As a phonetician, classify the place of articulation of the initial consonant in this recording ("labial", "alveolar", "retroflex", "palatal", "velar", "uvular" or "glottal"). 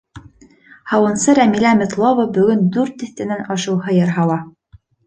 glottal